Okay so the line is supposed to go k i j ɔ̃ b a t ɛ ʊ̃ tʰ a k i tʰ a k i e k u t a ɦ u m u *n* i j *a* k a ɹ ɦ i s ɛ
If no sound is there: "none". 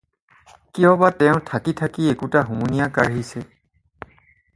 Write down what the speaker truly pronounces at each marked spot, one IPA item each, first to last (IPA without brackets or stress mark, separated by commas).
n, a